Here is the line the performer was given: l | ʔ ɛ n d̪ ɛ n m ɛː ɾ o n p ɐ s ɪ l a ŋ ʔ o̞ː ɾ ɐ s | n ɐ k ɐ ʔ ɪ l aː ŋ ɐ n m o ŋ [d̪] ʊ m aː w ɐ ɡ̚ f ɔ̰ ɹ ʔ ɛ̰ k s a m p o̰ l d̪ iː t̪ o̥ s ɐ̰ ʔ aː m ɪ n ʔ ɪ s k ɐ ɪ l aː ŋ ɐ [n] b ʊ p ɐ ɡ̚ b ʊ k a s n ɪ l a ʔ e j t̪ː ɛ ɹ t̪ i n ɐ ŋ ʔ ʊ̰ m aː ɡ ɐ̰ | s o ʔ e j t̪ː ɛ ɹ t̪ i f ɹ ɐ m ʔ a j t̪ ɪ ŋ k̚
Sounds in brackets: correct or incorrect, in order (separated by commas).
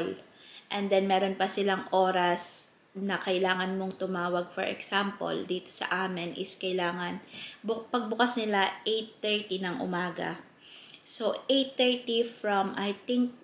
incorrect, correct